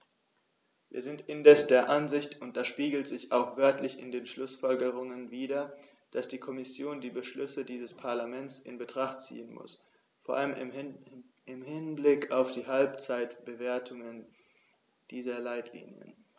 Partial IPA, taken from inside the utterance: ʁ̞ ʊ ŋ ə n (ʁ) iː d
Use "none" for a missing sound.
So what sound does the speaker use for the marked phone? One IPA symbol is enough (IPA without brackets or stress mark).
v